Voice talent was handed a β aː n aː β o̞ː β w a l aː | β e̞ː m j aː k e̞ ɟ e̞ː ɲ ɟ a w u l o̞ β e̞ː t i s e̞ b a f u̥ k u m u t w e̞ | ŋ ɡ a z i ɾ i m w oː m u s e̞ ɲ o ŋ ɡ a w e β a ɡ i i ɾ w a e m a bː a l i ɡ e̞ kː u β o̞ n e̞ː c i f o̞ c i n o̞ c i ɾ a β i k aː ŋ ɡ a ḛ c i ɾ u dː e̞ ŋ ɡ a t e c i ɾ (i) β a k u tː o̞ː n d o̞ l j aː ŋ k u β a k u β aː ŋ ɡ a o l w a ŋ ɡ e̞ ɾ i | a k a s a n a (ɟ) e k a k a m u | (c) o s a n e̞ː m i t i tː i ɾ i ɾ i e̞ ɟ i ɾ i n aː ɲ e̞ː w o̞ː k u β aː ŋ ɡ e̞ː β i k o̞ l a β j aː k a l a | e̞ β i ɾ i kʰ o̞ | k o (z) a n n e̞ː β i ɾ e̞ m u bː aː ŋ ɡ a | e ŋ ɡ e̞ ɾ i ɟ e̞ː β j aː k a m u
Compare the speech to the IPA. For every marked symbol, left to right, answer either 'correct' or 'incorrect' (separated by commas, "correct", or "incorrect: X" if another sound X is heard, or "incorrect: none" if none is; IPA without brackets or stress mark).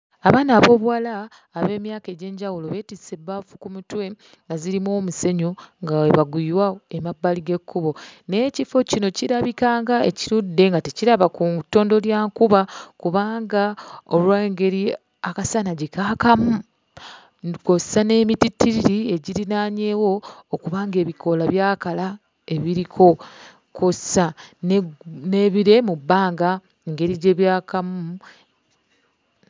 incorrect: a, correct, incorrect: k, incorrect: s